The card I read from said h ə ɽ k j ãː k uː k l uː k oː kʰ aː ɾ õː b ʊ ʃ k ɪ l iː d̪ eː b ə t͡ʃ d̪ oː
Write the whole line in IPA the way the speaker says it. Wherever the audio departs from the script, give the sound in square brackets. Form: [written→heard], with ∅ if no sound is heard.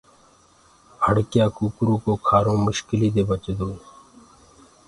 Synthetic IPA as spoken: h ə ɽ k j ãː k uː k [l→ɾ] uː k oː kʰ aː ɾ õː [b→m] ʊ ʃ k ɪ l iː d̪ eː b ə t͡ʃ d̪ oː

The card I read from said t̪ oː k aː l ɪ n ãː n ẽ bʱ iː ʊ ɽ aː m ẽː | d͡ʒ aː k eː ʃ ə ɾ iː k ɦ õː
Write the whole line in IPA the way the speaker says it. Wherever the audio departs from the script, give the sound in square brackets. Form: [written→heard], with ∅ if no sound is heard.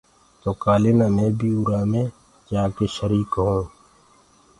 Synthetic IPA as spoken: t̪ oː k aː l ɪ n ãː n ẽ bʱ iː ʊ [ɽ→ɾ] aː m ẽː | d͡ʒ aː k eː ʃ ə ɾ iː k ɦ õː

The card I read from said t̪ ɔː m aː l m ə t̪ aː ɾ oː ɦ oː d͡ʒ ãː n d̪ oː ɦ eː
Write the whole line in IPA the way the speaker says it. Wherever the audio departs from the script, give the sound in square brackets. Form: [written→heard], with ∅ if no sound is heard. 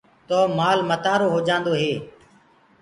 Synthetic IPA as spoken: t̪ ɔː m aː l m ə t̪ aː ɾ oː ɦ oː d͡ʒ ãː n d̪ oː ɦ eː

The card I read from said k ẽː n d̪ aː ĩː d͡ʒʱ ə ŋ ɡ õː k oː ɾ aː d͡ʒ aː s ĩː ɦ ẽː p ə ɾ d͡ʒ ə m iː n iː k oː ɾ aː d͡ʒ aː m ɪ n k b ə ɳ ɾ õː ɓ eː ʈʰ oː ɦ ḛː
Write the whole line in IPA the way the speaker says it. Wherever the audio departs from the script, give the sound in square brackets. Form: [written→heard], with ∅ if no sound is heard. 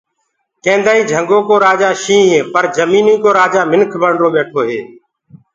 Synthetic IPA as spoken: k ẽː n d̪ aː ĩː d͡ʒʱ ə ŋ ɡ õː k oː ɾ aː d͡ʒ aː [s→ʃ] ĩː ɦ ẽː p ə ɾ d͡ʒ ə m iː n iː k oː ɾ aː d͡ʒ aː m ɪ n [k→kʰ] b ə ɳ ɾ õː ɓ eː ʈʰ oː ɦ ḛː

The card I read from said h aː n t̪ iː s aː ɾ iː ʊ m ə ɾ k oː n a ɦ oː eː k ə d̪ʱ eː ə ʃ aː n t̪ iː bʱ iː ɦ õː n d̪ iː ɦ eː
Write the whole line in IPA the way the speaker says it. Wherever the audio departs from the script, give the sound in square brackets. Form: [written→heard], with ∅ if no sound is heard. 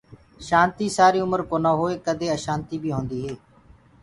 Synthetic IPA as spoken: [h→ʃ] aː n t̪ iː s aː ɾ iː ʊ m ə ɾ k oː n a ɦ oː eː k ə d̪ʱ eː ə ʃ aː n t̪ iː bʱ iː ɦ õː n d̪ iː ɦ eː

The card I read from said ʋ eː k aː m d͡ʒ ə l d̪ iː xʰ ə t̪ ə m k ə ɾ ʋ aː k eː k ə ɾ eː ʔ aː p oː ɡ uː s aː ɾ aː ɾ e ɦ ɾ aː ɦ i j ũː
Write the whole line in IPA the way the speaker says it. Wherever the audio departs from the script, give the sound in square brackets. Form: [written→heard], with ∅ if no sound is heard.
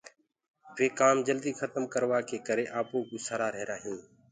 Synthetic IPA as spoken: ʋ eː k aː m d͡ʒ ə l d̪ iː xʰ ə t̪ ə m k ə ɾ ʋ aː k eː k ə ɾ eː ʔ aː p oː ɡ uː s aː ɾ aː ɾ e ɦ ɾ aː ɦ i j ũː

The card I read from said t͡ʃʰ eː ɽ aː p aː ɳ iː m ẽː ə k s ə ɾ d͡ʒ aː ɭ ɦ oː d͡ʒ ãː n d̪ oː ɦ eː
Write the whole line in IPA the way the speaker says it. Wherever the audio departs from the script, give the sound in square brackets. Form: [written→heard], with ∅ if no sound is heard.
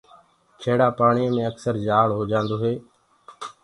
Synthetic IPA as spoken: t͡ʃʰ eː ɽ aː p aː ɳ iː m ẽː ə k s ə ɾ d͡ʒ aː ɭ ɦ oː d͡ʒ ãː n d̪ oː ɦ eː

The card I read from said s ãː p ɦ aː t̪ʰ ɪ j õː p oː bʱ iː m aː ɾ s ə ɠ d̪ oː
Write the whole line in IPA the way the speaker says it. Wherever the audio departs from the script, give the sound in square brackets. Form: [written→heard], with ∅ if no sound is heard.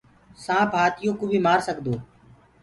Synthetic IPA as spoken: s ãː p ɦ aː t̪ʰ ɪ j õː [p→k] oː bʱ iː m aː ɾ s ə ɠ d̪ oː

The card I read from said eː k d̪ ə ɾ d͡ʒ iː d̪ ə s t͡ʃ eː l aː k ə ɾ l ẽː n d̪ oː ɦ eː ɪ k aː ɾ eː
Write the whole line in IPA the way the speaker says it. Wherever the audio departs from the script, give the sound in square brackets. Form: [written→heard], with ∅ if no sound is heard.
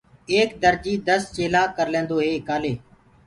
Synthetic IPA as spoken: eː k d̪ ə ɾ d͡ʒ iː d̪ ə s t͡ʃ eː l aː k ə ɾ l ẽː n d̪ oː ɦ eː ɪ k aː [ɾ→l] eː

